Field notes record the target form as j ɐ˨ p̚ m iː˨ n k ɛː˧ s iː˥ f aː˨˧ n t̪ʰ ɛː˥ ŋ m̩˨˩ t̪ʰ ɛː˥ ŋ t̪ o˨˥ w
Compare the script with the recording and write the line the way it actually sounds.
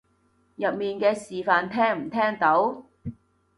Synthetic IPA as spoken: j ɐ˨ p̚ m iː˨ n k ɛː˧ s iː˨ f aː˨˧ n t̪ʰ ɛː˥ ŋ m̩˨˩ t̪ʰ ɛː˥ ŋ t̪ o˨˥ w